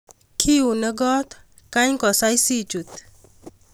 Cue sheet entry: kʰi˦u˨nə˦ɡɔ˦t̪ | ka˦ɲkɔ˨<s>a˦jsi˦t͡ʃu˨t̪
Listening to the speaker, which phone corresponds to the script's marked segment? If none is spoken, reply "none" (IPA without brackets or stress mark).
s